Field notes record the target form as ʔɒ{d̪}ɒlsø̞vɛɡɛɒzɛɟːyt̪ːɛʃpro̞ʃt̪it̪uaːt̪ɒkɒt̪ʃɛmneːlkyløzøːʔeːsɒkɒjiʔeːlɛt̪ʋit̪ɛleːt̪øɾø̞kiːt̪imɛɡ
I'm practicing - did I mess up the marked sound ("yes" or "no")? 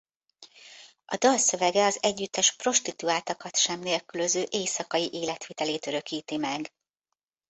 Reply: no